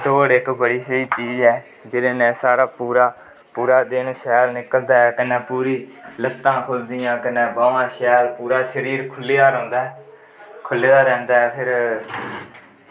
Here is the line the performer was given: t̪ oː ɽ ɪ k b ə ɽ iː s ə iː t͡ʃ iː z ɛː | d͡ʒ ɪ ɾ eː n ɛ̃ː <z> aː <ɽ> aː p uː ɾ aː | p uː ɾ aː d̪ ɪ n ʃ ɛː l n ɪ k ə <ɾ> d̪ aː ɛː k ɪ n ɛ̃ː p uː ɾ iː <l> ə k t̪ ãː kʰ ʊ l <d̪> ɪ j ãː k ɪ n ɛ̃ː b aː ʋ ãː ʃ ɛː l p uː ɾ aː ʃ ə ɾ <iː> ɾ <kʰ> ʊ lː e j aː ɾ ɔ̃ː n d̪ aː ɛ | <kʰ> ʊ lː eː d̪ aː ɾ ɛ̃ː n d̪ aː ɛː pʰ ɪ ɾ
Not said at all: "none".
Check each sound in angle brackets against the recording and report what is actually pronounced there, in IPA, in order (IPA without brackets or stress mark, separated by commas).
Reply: s, ɾ, l, l, d̪, iː, kʰ, kʰ